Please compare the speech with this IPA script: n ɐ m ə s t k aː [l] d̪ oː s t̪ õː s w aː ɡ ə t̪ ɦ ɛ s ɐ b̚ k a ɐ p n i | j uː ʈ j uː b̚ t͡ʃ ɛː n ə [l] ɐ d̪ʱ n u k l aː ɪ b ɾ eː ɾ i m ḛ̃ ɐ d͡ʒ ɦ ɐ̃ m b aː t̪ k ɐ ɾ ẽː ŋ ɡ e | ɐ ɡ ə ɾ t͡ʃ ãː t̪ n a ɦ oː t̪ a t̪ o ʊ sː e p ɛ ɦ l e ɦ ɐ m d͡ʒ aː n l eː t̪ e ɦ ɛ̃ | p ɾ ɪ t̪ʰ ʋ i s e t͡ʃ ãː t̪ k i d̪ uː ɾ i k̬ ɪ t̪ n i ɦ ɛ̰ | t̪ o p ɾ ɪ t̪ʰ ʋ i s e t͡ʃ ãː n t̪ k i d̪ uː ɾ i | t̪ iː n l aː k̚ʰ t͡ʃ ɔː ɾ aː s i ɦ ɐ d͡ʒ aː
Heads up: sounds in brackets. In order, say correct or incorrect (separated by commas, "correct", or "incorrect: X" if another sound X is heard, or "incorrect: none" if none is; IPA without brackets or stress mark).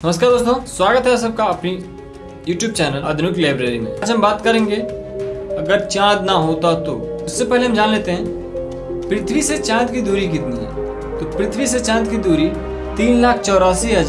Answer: incorrect: ɾ, correct